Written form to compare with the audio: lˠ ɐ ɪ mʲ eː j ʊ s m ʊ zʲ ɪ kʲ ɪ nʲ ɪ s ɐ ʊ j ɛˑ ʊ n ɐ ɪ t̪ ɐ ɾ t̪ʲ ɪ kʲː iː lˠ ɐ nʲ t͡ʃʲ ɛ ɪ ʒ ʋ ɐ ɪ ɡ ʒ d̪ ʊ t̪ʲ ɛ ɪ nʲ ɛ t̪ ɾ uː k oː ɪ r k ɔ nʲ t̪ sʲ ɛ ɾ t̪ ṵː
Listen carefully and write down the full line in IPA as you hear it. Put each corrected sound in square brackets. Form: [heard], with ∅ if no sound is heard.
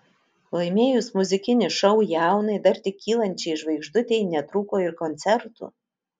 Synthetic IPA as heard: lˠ ɐ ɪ mʲ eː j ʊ s m ʊ zʲ ɪ kʲ ɪ nʲ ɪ [ʃ] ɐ ʊ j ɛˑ ʊ n ɐ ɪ [d̪] ɐ ɾ t̪ʲ ɪ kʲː iː lˠ ɐ nʲ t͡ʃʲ ɛ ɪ ʒ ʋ ɐ ɪ ɡ ʒ d̪ ʊ t̪ʲ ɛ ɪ nʲ ɛ t̪ ɾ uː k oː ɪ [ɾ] k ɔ nʲ t̪ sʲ ɛ ɾ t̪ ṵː

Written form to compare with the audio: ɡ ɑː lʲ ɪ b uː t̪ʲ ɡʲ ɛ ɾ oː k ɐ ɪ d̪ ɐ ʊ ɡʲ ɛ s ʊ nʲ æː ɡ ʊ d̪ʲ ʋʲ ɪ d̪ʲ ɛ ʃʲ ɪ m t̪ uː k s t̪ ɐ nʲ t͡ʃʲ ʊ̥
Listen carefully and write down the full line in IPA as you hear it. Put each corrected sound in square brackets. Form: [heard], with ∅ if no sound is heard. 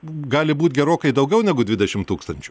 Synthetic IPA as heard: ɡ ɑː lʲ ɪ b uː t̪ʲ ɡʲ ɛ ɾ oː k ɐ ɪ d̪ ɐ ʊ ɡʲ ɛ [∅] ʊ nʲ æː ɡ ʊ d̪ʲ ʋʲ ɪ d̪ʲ ɛ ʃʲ ɪ m t̪ uː k s t̪ ɐ nʲ t͡ʃʲ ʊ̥

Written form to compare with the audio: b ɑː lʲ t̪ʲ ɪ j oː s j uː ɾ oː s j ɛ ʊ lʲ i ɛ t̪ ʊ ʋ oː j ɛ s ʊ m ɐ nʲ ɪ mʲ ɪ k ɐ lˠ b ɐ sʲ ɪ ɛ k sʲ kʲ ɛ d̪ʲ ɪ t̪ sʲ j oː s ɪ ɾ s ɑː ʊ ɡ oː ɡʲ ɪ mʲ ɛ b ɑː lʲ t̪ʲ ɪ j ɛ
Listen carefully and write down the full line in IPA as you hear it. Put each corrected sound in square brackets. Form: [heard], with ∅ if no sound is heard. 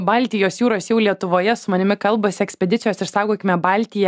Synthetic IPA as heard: b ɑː lʲ t̪ʲ ɪ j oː s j uː ɾ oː s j ɛ ʊ lʲ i ɛ t̪ ʊ ʋ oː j ɛ s ʊ m ɐ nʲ ɪ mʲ ɪ k ɐ lˠ b ɐ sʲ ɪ ɛ k sʲ [pʲ] ɛ d̪ʲ ɪ t̪ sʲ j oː s ɪ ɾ s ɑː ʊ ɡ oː [kʲ] ɪ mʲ ɛ b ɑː lʲ t̪ʲ ɪ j ɛ

